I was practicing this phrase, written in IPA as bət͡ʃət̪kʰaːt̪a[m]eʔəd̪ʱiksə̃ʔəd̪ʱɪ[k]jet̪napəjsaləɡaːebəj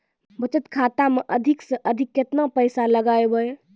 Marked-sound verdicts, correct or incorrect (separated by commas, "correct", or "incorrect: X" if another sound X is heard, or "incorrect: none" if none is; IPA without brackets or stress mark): correct, correct